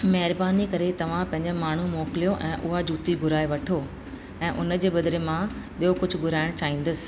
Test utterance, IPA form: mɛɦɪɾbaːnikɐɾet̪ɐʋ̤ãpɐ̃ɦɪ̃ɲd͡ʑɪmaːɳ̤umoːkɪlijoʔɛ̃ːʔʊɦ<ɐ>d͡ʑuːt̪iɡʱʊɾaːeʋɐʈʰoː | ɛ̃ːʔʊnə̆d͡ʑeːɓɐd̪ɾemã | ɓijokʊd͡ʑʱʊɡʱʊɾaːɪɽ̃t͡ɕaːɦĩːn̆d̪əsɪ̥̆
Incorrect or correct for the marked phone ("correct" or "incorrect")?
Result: incorrect